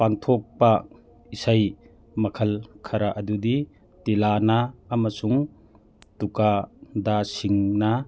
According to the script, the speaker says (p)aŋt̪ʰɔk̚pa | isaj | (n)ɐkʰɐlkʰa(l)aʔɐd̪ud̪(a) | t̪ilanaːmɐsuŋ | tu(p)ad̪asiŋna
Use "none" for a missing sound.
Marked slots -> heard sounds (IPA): p, m, ɾ, i, k

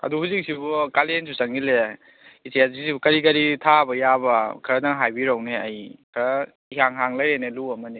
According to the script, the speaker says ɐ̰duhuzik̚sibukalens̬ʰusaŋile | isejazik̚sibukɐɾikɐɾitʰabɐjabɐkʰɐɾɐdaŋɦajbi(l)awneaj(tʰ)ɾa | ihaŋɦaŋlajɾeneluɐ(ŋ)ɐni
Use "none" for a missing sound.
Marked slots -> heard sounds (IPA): ɾ, kʰ, m

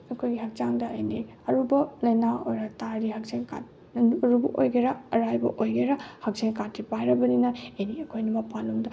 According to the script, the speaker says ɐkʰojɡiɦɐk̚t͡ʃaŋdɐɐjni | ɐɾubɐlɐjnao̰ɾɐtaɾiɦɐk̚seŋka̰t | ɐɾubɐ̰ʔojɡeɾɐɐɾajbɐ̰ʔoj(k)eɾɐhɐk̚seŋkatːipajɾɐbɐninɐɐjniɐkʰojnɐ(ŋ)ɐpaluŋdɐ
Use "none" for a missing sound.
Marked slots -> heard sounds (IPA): ɡ, m

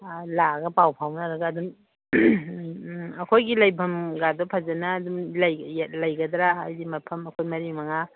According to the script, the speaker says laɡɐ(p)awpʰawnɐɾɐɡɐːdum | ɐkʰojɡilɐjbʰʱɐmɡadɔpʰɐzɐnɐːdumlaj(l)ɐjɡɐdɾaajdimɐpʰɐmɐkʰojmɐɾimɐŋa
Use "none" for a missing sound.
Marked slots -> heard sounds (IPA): p, l

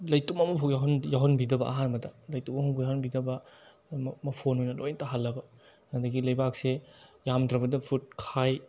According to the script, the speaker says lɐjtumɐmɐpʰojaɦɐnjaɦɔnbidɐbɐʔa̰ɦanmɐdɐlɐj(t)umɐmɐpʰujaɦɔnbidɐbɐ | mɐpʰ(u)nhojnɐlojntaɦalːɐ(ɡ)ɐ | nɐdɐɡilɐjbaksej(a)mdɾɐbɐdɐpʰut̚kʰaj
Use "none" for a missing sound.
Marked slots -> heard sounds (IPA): t, o, b, a

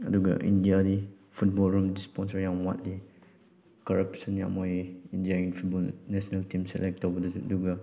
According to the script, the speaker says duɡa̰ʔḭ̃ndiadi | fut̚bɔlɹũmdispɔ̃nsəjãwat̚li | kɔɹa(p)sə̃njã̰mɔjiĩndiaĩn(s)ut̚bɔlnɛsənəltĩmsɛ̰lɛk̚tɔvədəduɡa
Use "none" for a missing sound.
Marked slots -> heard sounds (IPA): p, f

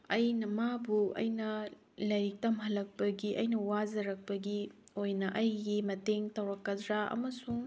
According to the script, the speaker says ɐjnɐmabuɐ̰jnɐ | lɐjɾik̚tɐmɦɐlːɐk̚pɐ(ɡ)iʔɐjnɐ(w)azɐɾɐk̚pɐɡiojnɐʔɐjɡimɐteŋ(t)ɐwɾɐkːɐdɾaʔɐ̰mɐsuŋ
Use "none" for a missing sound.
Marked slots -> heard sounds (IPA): ɡ, w, t

